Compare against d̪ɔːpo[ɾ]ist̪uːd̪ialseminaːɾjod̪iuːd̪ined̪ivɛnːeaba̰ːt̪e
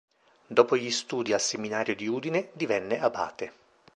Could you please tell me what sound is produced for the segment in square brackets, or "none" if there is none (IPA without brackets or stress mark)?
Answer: ʎ